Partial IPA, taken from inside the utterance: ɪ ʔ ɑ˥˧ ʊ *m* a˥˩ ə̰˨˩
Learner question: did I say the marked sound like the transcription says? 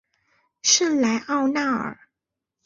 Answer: no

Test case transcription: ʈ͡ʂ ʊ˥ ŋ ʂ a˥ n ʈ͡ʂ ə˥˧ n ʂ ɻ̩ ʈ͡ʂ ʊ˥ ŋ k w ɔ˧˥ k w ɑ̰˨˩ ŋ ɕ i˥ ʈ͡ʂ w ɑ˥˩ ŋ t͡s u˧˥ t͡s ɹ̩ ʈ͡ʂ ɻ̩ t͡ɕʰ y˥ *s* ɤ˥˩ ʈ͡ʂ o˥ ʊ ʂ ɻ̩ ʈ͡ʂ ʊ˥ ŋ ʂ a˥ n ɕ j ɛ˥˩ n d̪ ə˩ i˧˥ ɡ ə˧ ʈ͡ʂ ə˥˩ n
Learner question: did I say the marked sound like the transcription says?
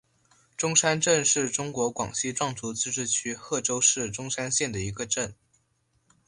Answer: no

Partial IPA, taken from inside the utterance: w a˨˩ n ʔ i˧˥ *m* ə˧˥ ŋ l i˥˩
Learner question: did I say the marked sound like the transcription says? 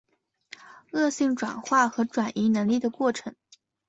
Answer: no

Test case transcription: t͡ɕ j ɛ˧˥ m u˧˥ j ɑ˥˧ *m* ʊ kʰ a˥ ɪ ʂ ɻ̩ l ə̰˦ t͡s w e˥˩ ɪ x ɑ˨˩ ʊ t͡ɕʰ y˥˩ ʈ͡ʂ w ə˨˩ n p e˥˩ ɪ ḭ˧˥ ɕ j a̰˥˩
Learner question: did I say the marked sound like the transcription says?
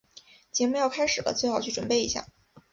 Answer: no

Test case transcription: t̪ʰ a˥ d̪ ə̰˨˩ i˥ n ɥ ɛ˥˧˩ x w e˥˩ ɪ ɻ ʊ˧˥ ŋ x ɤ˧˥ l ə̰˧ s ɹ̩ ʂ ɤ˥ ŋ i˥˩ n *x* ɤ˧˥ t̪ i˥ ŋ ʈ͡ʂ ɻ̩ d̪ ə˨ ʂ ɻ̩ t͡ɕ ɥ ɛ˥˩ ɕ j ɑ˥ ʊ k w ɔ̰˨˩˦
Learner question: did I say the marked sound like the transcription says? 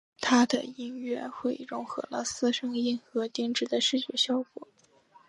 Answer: yes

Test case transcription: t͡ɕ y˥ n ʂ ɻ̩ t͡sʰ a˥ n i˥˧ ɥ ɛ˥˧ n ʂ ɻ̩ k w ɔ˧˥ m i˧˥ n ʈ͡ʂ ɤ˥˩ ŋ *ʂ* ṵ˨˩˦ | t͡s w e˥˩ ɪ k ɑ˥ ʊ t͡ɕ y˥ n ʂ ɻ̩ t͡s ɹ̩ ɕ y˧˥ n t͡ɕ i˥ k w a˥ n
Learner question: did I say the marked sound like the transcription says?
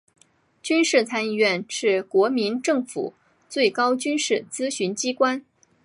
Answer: no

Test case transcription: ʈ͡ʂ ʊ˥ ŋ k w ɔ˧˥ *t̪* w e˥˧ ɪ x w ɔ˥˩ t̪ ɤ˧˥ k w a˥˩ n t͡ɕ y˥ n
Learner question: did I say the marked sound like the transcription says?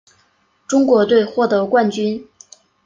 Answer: yes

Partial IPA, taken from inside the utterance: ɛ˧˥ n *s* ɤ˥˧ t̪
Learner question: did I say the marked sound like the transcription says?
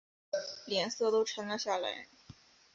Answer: yes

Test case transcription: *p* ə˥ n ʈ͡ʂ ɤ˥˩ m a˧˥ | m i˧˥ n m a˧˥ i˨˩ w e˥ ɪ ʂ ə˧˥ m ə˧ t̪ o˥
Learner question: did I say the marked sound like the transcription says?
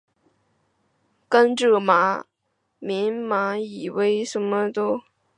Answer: no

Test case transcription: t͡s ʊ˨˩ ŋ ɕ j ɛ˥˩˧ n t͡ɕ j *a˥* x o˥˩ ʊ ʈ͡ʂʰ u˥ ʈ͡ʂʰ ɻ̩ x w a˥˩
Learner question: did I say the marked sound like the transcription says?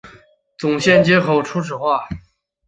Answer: no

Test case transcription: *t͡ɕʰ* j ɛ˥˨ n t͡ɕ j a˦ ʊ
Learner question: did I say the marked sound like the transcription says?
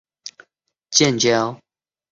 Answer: no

